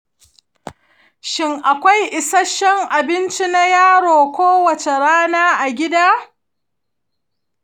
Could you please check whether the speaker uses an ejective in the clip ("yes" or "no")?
no